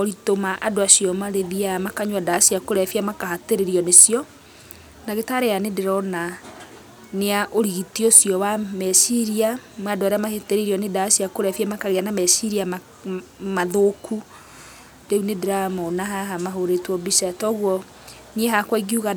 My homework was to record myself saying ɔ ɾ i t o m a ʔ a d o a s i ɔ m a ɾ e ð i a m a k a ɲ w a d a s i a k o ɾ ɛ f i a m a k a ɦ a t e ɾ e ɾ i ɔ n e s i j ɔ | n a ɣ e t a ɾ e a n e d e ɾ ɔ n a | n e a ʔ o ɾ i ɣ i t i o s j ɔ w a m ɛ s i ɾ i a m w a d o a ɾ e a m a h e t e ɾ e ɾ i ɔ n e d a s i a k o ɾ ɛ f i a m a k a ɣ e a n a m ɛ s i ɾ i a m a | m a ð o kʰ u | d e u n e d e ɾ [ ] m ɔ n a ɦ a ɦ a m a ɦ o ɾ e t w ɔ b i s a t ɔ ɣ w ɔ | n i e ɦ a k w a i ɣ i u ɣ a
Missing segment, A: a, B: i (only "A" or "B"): A